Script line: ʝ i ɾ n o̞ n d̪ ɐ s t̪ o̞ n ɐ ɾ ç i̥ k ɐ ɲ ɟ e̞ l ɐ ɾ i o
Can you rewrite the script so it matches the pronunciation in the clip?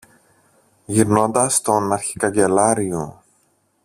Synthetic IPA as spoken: ʝ i ɾ n o̞ n d̪ ɐ s t̪ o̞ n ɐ ɾ ç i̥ k ɐ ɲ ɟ e̞ l ɐ ɾ i o